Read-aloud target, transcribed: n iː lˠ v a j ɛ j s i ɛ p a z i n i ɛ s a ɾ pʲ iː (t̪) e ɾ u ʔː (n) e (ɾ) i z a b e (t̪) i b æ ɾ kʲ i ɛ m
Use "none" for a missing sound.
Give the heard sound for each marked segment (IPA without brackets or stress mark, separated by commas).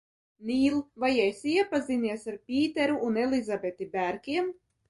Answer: t̪, n, l, t̪